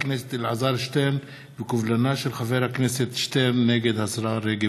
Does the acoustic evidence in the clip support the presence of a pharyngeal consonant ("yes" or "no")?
yes